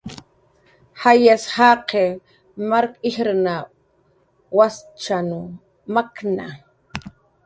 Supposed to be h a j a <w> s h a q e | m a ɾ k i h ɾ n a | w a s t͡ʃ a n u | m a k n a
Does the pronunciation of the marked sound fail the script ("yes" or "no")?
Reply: yes